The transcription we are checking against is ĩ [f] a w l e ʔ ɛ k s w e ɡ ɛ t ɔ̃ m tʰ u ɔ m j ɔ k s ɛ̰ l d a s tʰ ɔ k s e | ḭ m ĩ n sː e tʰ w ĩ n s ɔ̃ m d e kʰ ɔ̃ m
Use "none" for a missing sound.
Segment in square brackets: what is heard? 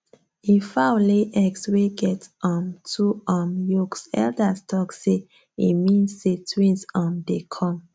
f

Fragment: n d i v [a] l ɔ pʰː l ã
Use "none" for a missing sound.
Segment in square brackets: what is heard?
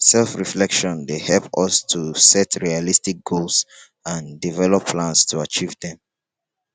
ɛ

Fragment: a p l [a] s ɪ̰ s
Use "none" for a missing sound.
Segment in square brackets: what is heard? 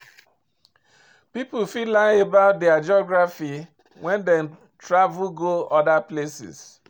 e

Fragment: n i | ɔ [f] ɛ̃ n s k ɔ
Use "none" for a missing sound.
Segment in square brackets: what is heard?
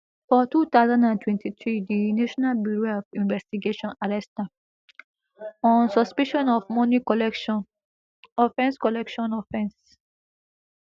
f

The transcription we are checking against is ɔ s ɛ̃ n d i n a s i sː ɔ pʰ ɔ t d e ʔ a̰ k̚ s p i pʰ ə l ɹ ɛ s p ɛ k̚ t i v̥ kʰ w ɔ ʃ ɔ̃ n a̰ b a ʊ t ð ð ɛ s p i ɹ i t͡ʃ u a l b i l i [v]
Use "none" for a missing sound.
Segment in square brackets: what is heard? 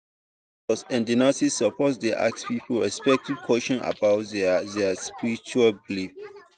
f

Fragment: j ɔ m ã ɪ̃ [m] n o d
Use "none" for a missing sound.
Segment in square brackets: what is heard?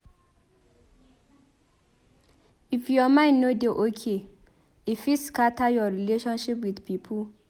n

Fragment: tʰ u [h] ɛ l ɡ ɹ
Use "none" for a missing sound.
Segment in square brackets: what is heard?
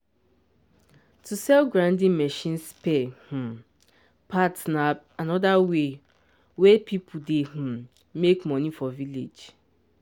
s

